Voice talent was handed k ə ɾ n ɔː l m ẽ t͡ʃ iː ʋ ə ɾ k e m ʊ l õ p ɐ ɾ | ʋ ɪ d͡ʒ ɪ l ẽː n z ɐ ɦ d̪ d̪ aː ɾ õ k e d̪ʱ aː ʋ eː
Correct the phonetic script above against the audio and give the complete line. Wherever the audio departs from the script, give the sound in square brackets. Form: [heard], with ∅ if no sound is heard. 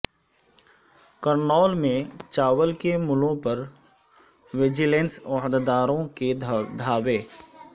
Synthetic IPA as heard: k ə ɾ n ɔː l m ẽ t͡ʃ [aː] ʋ ə [l] k e m ʊ l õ p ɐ ɾ | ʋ ɪ d͡ʒ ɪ l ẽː n [s] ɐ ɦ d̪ d̪ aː ɾ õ k e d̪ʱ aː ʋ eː